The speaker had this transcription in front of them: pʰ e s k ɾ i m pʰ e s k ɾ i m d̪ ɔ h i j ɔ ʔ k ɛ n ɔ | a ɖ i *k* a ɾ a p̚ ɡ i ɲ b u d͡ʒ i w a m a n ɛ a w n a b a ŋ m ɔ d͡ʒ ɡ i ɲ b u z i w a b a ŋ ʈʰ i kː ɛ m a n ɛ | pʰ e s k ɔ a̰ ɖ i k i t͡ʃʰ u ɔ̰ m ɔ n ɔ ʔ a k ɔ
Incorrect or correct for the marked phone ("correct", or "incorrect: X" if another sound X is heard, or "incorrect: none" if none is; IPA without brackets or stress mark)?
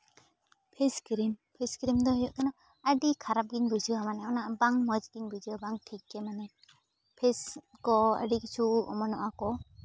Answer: incorrect: kʰ